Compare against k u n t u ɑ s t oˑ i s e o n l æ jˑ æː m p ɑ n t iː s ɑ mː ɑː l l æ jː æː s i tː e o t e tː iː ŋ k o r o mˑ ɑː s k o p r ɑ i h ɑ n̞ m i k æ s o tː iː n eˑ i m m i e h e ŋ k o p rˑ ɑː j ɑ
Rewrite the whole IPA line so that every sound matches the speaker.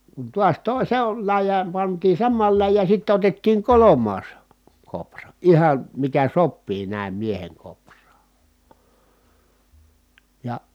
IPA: k u n t u ɑ s t oˑ i s e o n l æ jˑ æː m p ɑ n t iː s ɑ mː ɑː l l æ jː æː s i tː e o t e tː iː ŋ k o l o mˑ ɑː s k o p r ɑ i h ɑ n̞ m i k æ s o pː iː n æˑ i m m i e h e ŋ k o p rˑ ɑː j ɑ